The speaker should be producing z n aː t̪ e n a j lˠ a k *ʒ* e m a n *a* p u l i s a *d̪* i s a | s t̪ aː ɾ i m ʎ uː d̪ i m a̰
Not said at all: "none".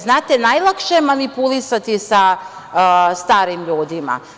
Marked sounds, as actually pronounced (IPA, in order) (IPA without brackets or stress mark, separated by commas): ʃ, i, t̪